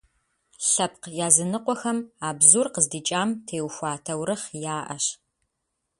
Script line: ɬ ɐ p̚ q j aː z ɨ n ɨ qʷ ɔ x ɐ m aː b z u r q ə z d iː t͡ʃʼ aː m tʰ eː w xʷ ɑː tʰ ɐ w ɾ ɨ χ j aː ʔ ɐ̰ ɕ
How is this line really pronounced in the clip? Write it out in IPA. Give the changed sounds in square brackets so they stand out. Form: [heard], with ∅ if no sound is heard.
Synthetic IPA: ɬ ɐ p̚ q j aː z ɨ n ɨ qʷ ɔ x ɐ m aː b z u r q ə z d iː t͡ʃʼ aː m tʰ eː w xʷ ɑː tʰ ɐ w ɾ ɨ χ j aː ʔ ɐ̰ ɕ